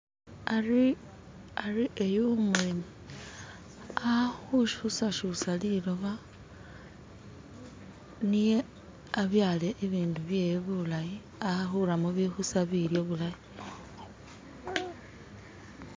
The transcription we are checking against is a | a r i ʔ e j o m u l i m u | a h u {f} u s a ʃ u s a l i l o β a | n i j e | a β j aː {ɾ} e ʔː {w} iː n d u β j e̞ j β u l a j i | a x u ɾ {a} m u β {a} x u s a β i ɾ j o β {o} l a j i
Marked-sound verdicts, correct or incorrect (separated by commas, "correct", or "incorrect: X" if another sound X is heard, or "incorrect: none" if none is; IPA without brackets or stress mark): incorrect: ʃ, incorrect: l, incorrect: β, correct, incorrect: i, incorrect: u